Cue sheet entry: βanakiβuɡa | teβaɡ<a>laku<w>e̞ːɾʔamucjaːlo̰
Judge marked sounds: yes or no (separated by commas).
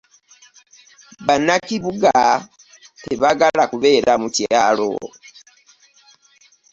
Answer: yes, no